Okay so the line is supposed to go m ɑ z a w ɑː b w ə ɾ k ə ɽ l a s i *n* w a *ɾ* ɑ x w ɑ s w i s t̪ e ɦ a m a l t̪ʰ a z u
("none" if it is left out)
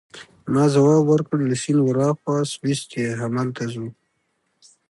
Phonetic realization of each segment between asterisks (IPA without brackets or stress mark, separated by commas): n, ɾ